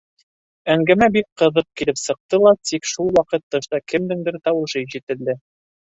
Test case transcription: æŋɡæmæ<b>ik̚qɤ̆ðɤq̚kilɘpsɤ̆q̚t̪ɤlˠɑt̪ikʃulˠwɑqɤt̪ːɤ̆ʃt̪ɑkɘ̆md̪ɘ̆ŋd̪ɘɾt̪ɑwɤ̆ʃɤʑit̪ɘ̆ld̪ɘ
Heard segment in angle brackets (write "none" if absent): b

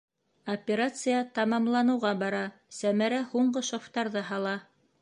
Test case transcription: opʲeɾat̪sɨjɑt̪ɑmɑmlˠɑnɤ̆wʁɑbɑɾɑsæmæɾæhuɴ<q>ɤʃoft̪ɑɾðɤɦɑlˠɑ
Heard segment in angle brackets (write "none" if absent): ɢ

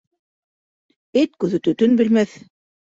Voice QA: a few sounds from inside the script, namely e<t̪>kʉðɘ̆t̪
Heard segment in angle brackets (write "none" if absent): t̪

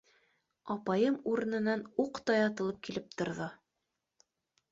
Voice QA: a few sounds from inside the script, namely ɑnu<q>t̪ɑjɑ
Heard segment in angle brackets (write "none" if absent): q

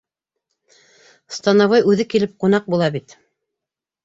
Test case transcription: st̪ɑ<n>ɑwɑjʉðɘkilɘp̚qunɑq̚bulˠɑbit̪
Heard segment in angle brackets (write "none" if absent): n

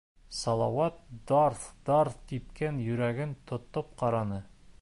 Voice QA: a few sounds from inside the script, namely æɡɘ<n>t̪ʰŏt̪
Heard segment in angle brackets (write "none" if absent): n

